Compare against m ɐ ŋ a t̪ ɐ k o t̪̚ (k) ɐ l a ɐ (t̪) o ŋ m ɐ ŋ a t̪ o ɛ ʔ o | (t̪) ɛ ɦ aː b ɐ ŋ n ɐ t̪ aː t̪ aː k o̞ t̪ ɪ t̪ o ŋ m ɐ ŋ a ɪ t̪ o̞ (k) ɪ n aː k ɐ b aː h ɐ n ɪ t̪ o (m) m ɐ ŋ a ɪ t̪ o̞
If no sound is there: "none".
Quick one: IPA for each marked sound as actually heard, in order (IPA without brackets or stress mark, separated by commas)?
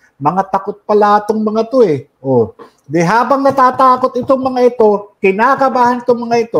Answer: p, t̪, d̪, k, ŋ